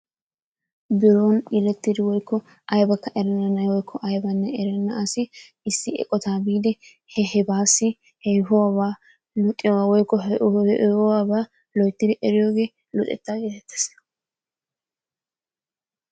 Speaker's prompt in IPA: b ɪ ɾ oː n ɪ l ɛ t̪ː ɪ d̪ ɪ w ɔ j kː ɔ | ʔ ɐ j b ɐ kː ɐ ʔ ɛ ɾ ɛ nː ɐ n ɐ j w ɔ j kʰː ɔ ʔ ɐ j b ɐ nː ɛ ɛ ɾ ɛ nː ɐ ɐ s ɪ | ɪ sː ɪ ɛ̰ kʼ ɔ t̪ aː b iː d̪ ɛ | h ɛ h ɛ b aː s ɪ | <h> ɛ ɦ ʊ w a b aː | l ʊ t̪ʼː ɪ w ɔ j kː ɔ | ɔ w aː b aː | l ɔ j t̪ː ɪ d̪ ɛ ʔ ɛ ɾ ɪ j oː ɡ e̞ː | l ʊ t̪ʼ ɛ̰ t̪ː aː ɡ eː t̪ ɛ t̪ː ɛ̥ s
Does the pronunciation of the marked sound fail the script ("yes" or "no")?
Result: no